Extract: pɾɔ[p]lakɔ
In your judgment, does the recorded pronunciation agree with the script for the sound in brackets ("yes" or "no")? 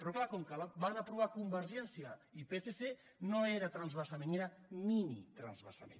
no